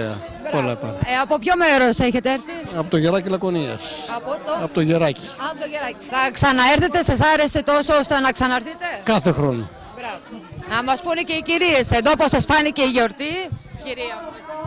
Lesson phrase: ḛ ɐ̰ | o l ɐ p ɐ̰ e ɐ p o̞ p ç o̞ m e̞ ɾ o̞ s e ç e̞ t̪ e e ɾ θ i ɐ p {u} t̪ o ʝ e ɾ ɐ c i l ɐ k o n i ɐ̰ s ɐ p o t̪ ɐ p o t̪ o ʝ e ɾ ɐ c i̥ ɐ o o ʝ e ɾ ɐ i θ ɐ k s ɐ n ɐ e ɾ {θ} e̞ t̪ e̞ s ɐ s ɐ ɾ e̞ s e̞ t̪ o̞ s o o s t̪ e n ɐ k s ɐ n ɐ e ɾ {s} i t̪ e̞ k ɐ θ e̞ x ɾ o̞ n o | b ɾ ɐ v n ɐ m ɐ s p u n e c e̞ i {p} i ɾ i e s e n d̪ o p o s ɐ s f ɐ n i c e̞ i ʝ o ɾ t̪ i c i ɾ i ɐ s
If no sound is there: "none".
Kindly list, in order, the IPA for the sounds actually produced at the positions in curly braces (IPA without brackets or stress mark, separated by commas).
o, θ, θ, c